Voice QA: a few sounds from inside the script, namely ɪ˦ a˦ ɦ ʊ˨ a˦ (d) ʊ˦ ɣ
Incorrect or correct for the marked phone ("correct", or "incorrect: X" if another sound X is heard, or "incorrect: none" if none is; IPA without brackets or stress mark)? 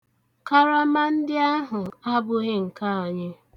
incorrect: b